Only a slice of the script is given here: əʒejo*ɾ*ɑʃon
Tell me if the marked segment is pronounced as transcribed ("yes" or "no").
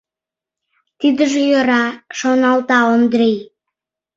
yes